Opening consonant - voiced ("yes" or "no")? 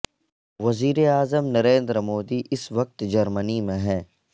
yes